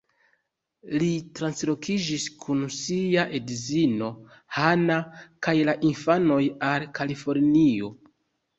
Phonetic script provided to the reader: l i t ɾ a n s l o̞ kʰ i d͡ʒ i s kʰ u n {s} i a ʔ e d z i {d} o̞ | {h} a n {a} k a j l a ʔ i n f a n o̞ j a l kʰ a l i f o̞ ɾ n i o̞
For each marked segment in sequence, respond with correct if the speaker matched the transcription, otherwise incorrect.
correct, incorrect: n, correct, correct

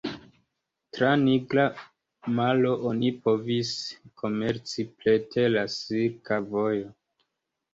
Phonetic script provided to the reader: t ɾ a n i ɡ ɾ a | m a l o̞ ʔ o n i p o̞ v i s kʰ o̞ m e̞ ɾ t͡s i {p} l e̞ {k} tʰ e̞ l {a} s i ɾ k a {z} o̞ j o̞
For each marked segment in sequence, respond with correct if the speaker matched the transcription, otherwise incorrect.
correct, incorrect: none, correct, incorrect: v

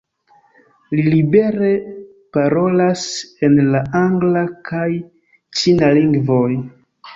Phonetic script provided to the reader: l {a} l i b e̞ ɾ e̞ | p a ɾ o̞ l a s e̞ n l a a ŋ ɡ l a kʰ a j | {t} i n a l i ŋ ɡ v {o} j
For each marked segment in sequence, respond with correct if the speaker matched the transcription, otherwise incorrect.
incorrect: i, incorrect: t͡ʃ, correct

